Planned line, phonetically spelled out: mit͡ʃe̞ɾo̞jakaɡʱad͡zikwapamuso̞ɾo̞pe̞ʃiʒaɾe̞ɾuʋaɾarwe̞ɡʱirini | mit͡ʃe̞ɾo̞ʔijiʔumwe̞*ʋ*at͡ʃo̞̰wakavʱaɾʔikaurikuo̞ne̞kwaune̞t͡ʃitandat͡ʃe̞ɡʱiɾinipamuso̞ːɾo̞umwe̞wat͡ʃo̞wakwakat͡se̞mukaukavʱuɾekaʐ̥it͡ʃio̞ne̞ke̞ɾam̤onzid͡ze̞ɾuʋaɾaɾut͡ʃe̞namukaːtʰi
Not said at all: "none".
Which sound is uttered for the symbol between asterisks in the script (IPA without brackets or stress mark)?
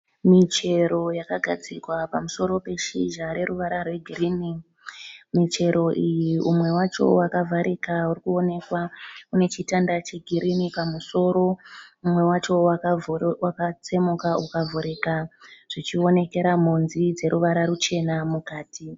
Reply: w